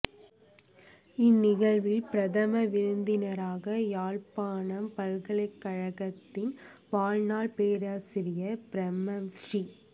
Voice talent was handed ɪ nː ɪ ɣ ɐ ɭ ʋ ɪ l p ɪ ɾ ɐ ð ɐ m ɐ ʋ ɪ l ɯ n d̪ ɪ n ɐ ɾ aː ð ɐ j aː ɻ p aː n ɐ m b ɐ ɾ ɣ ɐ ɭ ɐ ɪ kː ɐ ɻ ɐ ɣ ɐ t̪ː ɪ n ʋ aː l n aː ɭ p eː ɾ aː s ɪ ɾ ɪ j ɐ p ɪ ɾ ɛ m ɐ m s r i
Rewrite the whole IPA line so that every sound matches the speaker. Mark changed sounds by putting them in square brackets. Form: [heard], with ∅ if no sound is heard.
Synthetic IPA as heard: ɪ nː ɪ ɣ ɐ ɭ ʋ ɪ l p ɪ ɾ ɐ ð ɐ m ɐ ʋ ɪ [ɾ] ɯ n d̪ ɪ n ɐ ɾ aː [ɣ] ɐ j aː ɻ p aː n ɐ m [p] ɐ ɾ ɣ ɐ ɭ ɐ ɪ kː ɐ ɻ ɐ ɣ ɐ t̪ː ɪ n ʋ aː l n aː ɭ p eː ɾ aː s ɪ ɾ ɪ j ɐ p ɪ ɾ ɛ m ɐ m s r i